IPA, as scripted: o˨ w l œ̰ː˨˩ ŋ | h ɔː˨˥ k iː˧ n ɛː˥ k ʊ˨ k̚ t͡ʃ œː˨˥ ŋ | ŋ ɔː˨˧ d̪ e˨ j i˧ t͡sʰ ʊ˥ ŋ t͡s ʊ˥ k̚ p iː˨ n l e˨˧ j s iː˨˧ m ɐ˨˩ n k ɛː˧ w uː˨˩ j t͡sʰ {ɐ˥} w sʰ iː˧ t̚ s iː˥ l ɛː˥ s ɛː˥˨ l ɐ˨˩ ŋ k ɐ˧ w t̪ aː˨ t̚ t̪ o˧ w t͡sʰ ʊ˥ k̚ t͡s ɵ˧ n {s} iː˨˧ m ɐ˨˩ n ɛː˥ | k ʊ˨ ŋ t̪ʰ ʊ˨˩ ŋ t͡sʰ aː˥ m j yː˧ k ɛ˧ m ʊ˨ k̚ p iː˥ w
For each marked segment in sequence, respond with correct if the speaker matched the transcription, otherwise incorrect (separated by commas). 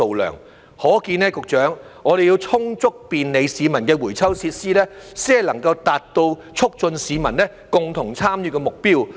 correct, correct